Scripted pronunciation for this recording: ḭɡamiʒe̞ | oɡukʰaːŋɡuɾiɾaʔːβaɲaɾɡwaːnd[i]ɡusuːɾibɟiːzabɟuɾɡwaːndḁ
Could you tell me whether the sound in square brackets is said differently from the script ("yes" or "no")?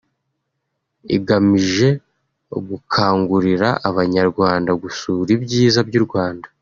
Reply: yes